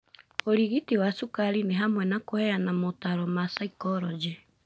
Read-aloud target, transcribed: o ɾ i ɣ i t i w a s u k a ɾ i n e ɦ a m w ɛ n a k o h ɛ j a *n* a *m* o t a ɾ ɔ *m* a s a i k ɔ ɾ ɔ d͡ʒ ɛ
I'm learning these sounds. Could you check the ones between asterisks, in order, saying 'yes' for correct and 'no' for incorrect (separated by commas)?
yes, yes, yes